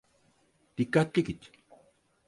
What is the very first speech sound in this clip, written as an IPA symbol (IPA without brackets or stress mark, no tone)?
t̪